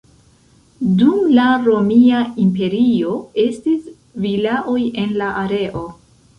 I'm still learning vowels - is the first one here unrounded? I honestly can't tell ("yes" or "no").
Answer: no